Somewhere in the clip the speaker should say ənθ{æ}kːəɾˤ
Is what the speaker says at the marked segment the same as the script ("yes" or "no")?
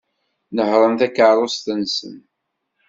yes